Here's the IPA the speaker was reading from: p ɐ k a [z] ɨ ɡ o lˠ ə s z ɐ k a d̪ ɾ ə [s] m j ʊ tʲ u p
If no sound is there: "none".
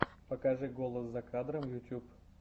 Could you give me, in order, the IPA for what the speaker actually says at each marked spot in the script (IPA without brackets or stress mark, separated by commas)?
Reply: ʐ, none